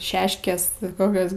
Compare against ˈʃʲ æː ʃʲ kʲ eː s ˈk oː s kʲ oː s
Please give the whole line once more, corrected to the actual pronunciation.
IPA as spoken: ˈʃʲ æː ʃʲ kʲ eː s ˈk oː kʲ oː s